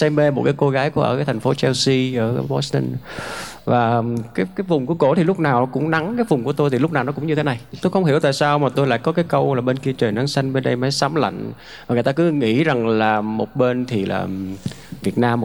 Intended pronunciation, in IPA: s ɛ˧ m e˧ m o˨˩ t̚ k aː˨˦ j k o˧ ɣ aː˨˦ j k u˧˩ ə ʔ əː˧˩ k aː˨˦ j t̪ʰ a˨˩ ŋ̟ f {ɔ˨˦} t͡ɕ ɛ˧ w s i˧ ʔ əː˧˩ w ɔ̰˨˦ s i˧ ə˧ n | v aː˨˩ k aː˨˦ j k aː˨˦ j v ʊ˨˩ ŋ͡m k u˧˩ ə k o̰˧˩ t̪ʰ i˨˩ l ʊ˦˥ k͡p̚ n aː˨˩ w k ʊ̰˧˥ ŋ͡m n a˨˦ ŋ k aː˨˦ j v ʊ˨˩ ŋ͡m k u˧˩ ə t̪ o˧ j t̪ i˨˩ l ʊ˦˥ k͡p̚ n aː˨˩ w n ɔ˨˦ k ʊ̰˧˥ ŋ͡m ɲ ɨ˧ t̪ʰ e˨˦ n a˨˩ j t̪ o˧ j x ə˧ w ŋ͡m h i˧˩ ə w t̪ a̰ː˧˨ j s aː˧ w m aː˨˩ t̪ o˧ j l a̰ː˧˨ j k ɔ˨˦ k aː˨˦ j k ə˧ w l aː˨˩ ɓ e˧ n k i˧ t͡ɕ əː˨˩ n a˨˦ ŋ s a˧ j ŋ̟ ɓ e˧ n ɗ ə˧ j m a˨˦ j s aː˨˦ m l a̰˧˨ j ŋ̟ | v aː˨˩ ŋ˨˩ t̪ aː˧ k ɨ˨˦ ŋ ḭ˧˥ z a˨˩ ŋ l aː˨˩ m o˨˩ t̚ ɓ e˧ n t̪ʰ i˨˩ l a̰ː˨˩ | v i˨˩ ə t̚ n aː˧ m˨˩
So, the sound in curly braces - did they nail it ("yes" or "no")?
no